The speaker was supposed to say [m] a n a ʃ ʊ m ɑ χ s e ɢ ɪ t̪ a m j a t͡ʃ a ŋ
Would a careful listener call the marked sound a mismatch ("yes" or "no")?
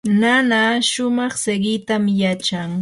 yes